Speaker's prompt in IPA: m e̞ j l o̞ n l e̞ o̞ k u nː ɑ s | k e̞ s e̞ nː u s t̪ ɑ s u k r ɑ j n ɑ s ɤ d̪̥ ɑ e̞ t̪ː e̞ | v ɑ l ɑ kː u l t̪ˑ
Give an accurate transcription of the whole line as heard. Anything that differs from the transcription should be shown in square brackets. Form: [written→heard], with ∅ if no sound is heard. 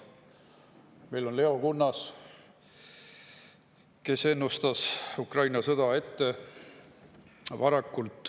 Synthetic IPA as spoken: m e̞ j l o̞ n l e̞ o̞ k u nː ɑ s | k e̞ s e̞ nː u s t̪ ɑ s u k r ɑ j n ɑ s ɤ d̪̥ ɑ e̞ t̪ː e̞ | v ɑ [l→ɾ] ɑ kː u l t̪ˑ

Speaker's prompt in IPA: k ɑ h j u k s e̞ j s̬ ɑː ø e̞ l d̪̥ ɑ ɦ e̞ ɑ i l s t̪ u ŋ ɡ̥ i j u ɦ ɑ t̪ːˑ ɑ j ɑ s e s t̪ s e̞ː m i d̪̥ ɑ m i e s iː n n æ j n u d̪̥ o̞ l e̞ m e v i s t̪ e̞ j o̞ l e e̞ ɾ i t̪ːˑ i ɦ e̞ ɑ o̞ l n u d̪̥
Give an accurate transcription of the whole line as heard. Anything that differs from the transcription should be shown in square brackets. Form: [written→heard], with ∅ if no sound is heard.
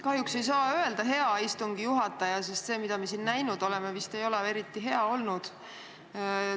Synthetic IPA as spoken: k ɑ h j u k s e̞ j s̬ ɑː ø e̞ l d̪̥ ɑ ɦ e̞ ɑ i [l→∅] s t̪ u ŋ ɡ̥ i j u ɦ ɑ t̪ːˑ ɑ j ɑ s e s t̪ s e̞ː m i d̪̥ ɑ m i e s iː n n æ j n u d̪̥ o̞ l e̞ m e v i s t̪ e̞ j o̞ l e e̞ ɾ i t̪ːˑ i ɦ e̞ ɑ o̞ l n u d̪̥

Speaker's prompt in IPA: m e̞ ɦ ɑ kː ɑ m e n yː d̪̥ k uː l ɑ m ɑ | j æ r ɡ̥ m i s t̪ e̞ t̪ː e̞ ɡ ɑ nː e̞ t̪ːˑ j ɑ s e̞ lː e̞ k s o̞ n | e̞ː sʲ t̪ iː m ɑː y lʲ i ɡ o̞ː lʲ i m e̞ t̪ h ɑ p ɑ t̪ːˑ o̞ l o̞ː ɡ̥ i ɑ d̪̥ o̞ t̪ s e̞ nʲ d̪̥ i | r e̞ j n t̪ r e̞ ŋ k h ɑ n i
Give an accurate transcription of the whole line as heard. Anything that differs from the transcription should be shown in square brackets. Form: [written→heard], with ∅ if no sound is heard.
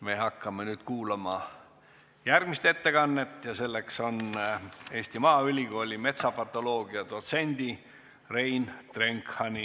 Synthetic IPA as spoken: m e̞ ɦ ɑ kː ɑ m e n yː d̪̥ k uː l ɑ m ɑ | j æ r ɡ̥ m i s t̪ e̞ t̪ː e̞ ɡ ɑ nː e̞ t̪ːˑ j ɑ s e̞ lː e̞ k s o̞ n | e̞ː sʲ t̪ [iː→i] m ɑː y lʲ i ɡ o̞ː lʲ i m e̞ t̪ [h→s] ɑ p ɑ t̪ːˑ o̞ l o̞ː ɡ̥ i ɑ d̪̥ o̞ t̪ s e̞ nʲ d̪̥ i | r e̞ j n t̪ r e̞ ŋ k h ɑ n i

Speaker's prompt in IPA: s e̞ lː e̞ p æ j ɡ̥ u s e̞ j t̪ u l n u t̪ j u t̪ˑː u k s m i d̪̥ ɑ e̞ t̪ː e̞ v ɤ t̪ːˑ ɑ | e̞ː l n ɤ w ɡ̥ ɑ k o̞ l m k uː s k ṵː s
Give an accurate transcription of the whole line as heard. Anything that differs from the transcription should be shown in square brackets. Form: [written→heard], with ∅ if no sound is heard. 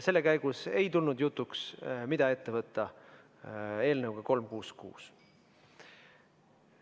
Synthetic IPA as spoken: s e̞ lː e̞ [p→k] æ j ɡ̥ u s e̞ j t̪ u l n u [t̪→d̪] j u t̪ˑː u k s m i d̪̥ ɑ e̞ t̪ː e̞ v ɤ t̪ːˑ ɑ | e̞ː l n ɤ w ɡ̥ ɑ k o̞ l m k uː s k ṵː s

